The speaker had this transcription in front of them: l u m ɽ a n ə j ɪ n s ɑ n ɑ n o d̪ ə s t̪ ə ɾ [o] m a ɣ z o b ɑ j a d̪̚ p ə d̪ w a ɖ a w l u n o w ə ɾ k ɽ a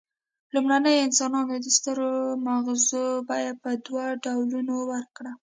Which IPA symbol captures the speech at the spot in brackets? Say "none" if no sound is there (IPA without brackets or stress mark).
o